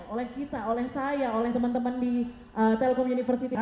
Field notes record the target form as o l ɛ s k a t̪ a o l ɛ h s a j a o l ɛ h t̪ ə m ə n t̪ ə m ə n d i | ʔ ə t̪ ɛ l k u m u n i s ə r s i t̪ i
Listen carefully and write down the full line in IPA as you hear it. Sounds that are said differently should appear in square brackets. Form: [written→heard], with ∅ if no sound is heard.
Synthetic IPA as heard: o l ɛ [s→h] k [a→i] t̪ a o l ɛ h s a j a o l ɛ h t̪ ə m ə n t̪ ə m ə n d i | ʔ ə t̪ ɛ l k [u→ɔ] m u n i [s→f] ə r s i t̪ i

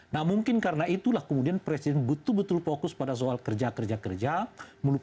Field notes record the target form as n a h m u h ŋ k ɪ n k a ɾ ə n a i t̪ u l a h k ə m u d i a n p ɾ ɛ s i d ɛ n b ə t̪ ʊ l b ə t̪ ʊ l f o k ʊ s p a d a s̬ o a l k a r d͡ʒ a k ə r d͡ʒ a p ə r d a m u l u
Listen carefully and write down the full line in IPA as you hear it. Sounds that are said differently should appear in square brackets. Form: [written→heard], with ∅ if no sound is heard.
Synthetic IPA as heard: n a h m u [h→∅] ŋ k ɪ n k a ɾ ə n a i t̪ u l a h k ə m u d i a n p ɾ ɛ s i d ɛ n b ə t̪ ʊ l b ə t̪ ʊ l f o k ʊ s p a d a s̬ o a l k [a→ə] r d͡ʒ a k ə r d͡ʒ a [p→k] ə r [d→d͡ʒ] a m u l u

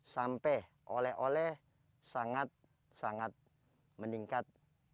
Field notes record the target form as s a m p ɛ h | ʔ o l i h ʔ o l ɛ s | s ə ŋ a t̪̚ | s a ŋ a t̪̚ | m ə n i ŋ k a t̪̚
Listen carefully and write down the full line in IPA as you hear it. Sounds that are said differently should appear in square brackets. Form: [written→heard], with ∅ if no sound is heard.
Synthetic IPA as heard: s a m p ɛ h | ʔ o l [i→ɛ] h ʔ o l ɛ [s→h] | s [ə→a] ŋ a t̪̚ | s a ŋ a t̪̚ | m ə n i ŋ k a t̪̚

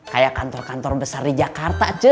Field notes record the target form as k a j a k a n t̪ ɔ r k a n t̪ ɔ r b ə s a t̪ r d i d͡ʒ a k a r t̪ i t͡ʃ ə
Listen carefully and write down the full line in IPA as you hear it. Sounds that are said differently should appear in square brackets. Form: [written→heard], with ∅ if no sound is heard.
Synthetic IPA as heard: k a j a k a n t̪ ɔ r k a n t̪ ɔ r b ə s a [t̪→∅] r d i d͡ʒ a k a r t̪ [i→a] t͡ʃ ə

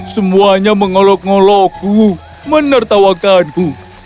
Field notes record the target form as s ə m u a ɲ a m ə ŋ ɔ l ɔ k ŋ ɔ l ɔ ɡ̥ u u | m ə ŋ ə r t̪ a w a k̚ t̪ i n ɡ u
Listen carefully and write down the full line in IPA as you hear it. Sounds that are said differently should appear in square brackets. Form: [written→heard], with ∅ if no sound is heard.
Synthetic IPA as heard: s ə m u a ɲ a m ə ŋ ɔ l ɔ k ŋ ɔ l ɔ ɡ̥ u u | m ə [ŋ→n] ə r t̪ a w a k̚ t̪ [i→a] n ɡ u

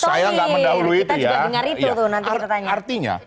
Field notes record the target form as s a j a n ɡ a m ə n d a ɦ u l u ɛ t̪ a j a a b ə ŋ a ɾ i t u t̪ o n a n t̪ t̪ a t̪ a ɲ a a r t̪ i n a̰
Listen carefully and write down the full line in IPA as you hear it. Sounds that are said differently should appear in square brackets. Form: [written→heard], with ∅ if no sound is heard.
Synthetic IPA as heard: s a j a [n→ŋ] ɡ a m ə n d a ɦ u l u [ɛ→i] t̪ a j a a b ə ŋ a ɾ i t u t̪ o n a n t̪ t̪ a t̪ a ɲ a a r t̪ i [n→ɲ] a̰

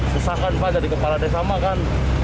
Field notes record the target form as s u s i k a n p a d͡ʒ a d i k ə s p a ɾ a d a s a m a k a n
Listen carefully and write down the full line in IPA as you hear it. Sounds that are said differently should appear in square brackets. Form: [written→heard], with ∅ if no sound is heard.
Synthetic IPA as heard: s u s [i→a] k a n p a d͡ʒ a d i k ə [s→∅] p a [ɾ→l] a d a s a m a k a n

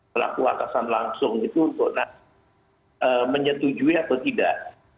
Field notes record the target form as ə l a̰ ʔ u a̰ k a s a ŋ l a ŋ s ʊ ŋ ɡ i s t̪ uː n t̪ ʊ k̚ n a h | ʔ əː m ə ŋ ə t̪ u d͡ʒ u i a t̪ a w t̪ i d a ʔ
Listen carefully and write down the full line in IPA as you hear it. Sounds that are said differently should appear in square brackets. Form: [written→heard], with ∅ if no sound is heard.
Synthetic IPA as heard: ə l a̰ [ʔ→k] u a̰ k a s a [ŋ→n] l a ŋ s ʊ ŋ ɡ i [s→∅] t̪ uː n t̪ ʊ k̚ n a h | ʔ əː m ə [ŋ→ɲ] ə t̪ u d͡ʒ u i a t̪ a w t̪ i d a ʔ

